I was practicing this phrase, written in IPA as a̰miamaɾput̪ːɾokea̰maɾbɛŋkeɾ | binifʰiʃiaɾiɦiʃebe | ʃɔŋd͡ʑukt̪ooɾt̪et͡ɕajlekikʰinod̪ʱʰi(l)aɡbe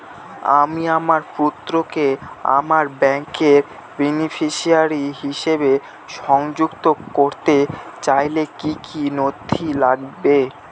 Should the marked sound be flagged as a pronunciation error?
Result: no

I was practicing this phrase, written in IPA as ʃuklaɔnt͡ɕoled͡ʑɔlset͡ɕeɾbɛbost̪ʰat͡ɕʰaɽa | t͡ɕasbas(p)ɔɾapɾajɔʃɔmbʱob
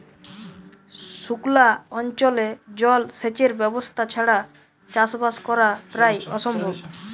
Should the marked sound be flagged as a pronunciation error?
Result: yes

